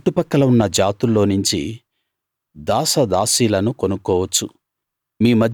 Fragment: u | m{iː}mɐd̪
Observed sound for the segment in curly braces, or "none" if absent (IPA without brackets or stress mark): iː